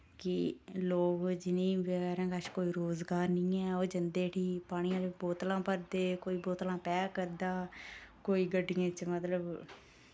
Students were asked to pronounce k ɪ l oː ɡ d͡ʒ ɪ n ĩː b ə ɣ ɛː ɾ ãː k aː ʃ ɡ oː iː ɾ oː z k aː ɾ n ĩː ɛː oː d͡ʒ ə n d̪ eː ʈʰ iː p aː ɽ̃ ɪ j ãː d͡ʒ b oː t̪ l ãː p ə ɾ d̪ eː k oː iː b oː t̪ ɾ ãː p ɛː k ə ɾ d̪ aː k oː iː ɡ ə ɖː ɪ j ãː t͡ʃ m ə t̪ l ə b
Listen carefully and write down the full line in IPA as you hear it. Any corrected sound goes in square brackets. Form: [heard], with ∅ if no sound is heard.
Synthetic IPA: k ɪ l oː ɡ d͡ʒ ɪ n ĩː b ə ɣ ɛː ɾ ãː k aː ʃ [k] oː iː ɾ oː z [ɡ] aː ɾ n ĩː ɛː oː d͡ʒ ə n d̪ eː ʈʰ iː p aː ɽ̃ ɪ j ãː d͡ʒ b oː t̪ l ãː p ə ɾ d̪ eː k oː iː b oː t̪ [l] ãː p ɛː k ə ɾ d̪ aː k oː iː ɡ ə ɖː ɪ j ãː t͡ʃ m ə t̪ l ə b